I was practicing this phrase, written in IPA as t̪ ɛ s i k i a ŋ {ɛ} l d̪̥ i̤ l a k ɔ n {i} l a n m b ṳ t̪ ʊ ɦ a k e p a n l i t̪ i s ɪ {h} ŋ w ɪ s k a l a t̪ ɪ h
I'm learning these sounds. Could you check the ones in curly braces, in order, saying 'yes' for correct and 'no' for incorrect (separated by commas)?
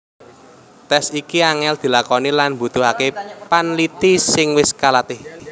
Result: yes, yes, no